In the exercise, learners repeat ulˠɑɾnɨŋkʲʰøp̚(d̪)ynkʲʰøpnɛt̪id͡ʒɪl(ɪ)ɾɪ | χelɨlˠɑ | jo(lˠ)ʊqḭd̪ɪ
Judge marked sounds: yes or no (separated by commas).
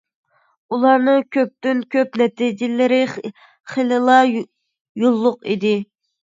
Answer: no, yes, no